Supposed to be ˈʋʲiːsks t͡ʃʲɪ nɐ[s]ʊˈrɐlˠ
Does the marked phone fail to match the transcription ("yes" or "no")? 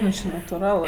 yes